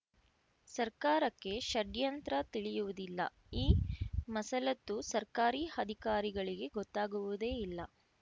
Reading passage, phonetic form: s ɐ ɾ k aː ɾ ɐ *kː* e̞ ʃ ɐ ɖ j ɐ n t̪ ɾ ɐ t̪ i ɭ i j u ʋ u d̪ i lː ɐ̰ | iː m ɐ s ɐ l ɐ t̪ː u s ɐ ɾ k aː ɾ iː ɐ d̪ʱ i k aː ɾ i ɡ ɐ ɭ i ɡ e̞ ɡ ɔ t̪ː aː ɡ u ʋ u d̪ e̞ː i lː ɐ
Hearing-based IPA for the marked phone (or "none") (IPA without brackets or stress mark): kː